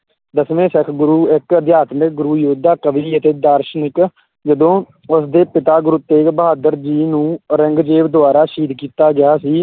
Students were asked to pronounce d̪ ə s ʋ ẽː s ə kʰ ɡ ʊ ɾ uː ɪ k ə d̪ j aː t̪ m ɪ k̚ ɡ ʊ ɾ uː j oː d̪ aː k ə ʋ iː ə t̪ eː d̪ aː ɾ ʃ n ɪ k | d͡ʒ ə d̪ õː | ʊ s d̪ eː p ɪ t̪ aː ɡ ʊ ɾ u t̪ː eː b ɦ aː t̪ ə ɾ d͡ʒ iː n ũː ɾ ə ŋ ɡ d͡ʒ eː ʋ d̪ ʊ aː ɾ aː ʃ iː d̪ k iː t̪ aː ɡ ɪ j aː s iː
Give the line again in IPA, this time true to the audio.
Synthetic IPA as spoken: d̪ ə s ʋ ẽː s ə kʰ ɡ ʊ ɾ uː ɪ k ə d̪ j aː t̪ m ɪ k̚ ɡ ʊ ɾ uː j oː d̪ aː k ə ʋ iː ə t̪ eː d̪ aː ɾ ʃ n ɪ k | d͡ʒ ə d̪ õː | ʊ s d̪ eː p ɪ t̪ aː ɡ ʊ ɾ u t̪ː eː b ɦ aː d̪ ə ɾ d͡ʒ iː n ũː ɾ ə ŋ ɡ d͡ʒ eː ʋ d̪ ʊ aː ɾ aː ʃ iː d̪ k iː t̪ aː ɡ ɪ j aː s iː